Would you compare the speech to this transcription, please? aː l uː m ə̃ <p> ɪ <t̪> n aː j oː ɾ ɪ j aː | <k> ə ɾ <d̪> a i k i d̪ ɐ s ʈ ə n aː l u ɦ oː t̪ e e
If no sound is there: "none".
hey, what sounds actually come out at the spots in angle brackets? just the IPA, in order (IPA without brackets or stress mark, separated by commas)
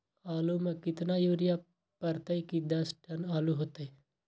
k, t̪, p, t̪